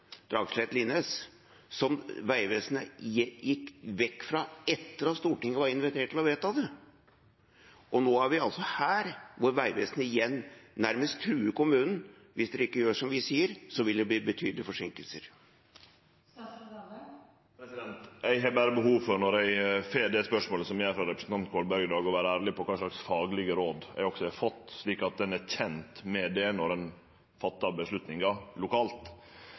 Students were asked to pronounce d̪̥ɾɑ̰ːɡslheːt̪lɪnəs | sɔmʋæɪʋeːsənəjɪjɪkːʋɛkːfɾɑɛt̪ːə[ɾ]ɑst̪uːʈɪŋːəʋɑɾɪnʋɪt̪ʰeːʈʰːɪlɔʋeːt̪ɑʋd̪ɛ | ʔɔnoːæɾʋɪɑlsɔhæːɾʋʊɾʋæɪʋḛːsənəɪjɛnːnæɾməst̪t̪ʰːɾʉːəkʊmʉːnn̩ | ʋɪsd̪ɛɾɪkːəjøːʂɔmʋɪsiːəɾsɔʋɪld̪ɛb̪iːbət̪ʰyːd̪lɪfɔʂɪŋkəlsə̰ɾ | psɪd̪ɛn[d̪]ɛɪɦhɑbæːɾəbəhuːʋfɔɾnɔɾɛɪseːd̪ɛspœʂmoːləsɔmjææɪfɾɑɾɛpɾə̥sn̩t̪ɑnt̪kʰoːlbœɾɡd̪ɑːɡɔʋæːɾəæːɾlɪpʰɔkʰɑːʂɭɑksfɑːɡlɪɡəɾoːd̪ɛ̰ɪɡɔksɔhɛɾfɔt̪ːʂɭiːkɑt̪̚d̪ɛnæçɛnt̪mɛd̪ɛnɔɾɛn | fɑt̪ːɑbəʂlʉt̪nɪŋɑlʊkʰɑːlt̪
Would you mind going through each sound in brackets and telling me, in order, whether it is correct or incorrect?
correct, incorrect

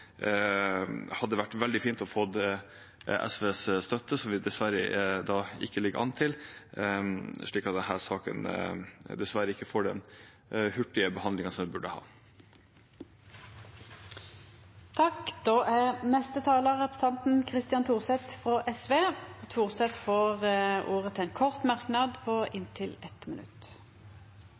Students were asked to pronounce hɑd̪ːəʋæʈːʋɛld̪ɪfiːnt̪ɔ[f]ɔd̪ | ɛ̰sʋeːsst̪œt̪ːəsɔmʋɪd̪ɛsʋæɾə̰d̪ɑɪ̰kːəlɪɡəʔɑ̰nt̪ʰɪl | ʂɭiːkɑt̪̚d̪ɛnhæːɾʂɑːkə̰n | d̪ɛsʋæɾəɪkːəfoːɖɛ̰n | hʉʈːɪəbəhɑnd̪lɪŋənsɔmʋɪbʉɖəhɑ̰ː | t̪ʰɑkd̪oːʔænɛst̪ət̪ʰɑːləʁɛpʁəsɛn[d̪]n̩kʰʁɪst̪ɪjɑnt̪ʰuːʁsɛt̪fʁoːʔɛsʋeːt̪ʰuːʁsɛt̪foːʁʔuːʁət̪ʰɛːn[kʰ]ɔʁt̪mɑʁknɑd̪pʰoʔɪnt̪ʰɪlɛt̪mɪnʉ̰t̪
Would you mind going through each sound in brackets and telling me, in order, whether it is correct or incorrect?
correct, incorrect, correct

